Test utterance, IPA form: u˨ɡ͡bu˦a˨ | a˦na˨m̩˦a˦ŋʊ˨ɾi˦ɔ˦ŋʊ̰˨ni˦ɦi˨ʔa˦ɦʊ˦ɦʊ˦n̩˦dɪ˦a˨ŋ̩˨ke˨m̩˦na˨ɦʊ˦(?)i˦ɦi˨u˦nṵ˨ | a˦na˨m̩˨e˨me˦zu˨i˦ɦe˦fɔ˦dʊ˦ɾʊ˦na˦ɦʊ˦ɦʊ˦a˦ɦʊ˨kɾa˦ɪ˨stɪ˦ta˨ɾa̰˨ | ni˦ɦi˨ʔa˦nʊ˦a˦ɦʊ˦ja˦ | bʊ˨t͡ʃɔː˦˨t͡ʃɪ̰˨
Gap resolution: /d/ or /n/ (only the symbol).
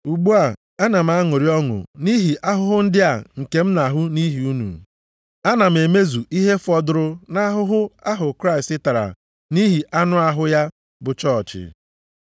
n